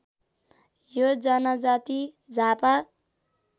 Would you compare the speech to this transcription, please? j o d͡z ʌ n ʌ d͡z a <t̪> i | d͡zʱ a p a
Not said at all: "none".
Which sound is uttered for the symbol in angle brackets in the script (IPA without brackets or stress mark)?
t̪